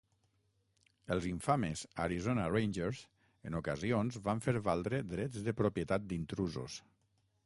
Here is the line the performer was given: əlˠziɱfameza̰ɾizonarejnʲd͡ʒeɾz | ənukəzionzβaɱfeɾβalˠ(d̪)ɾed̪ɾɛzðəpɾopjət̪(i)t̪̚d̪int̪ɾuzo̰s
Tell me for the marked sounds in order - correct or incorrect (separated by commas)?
correct, incorrect